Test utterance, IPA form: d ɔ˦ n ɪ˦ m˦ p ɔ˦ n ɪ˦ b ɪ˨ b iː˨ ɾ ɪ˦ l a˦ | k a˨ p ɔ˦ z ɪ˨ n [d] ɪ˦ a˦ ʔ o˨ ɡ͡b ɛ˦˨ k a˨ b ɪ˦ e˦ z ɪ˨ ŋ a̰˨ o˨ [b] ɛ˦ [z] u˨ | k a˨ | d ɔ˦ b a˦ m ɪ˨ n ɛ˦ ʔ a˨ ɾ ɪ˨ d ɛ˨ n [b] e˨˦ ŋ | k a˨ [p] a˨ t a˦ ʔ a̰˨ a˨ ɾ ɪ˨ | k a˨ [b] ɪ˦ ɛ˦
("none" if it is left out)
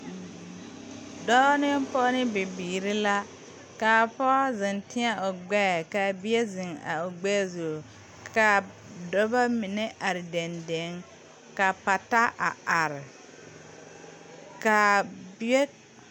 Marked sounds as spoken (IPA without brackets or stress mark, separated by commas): t, ɡ͡b, z, d, p, b